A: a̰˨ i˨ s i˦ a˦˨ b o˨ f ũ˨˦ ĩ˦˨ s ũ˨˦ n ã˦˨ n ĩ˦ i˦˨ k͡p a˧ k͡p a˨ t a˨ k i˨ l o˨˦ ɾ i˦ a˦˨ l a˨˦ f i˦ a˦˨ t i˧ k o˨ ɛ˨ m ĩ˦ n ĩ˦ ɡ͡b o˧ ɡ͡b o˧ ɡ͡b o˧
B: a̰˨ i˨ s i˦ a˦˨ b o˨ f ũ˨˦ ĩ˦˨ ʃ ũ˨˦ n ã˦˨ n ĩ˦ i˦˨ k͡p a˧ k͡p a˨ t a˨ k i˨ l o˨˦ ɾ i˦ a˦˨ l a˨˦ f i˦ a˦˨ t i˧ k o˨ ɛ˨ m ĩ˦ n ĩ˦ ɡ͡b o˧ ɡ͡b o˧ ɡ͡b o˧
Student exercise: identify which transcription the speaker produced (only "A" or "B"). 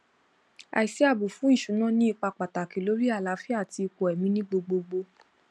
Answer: B